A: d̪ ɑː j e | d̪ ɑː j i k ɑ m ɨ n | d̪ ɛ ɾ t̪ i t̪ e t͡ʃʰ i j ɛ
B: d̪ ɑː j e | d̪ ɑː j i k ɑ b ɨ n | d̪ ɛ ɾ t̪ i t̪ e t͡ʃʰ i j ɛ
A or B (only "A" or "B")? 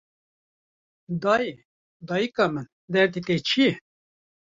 A